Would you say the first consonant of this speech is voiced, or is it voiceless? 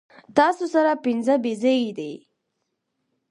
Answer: voiceless